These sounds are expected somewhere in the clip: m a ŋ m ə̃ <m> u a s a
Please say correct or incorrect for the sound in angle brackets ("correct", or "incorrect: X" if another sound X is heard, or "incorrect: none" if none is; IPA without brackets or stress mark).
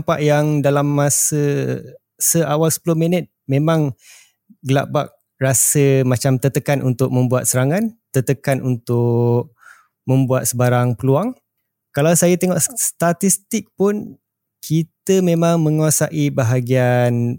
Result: incorrect: ŋ